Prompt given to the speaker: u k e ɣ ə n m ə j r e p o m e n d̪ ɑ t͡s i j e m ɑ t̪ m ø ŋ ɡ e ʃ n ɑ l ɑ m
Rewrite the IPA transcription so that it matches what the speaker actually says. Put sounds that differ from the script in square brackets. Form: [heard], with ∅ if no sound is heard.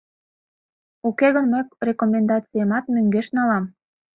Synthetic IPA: u k e ɣ ə n m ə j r e [k] o m e n d̪ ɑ t͡s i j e m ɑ t̪ m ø ŋ ɡ e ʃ n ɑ l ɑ m